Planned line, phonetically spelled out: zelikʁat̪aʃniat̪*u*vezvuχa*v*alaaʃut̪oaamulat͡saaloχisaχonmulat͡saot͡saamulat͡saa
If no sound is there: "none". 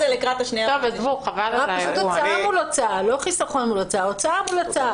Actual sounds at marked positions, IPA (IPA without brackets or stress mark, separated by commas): o, v